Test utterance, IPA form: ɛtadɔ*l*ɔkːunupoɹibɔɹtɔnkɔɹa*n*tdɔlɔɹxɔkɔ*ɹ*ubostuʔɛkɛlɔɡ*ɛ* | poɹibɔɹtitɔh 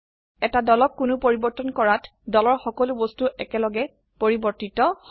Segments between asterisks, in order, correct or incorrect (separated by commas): correct, incorrect, incorrect, correct